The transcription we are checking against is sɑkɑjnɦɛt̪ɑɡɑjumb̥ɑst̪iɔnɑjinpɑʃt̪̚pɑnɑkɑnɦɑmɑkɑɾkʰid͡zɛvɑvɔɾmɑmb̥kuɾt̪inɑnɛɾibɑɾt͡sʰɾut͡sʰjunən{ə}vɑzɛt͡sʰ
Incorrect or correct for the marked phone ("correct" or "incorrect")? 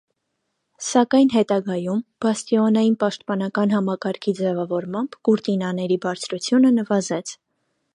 correct